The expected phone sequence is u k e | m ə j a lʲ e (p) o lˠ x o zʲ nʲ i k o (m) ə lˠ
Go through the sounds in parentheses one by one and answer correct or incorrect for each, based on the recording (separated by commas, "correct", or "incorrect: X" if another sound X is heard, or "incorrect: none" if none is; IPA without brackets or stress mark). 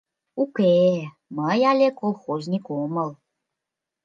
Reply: incorrect: k, correct